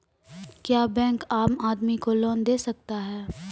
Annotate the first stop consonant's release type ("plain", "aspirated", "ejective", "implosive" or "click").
plain